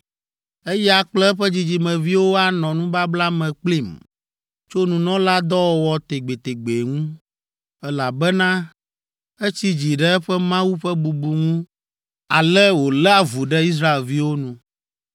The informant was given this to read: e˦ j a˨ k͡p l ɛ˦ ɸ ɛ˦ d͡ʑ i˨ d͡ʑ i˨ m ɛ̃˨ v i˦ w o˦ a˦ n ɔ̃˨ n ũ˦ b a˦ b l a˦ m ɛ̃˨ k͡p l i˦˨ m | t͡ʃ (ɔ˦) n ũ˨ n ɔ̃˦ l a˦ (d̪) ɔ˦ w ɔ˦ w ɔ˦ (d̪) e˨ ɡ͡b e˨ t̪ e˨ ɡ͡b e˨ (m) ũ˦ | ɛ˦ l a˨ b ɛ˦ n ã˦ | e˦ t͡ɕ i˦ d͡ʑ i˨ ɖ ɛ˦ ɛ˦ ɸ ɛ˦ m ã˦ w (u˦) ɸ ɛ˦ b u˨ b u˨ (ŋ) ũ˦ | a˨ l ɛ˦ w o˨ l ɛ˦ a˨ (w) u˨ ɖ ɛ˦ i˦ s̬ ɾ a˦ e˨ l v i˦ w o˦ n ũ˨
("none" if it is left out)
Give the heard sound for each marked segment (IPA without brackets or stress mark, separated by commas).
o˦, d̪, t̪, ŋ, u˦, ŋ, v